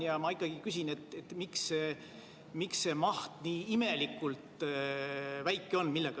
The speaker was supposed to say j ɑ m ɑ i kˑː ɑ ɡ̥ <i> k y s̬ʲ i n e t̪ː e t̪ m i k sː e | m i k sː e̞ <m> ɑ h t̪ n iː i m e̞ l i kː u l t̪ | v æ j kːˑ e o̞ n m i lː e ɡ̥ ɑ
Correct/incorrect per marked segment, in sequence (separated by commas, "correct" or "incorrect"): correct, correct